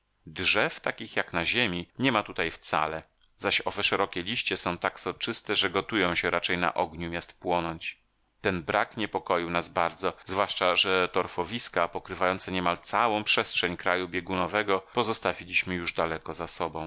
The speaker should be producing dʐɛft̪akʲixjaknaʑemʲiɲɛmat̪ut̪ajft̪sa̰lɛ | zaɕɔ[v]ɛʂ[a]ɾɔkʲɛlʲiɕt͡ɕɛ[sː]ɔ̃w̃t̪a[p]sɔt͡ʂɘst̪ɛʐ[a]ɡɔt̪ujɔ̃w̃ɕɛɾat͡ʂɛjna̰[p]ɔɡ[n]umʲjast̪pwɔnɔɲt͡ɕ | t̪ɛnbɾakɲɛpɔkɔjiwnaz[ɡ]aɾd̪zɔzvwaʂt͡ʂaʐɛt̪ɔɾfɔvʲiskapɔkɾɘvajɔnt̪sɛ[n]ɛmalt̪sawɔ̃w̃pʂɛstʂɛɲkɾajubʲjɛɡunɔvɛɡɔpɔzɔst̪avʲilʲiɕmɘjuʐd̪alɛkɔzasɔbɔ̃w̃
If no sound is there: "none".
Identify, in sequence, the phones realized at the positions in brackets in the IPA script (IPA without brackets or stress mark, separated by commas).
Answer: v, ɛ, s, k, ɛ, ʔ, ɲ, b, ɲ